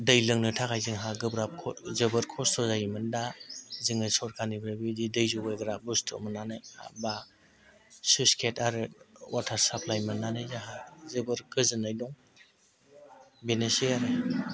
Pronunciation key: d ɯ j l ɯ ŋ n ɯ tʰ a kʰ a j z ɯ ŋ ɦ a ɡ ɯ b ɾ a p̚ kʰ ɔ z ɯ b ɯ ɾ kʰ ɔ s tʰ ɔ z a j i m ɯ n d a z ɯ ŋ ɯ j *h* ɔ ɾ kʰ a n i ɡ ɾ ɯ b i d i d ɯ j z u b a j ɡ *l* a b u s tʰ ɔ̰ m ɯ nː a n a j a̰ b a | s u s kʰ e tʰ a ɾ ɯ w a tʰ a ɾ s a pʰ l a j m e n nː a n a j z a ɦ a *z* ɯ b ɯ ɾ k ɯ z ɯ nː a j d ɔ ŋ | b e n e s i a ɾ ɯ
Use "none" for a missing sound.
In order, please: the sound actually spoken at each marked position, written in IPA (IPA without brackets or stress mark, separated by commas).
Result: s, ɾ, z